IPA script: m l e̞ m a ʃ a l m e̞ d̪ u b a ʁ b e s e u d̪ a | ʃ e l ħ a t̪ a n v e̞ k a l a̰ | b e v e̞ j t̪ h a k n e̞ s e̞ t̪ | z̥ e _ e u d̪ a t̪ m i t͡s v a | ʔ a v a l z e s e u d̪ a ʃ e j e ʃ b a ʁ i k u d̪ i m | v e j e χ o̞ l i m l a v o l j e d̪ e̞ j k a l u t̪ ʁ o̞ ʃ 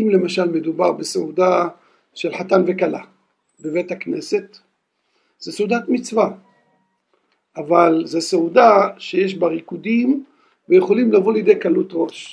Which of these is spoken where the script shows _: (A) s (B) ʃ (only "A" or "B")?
A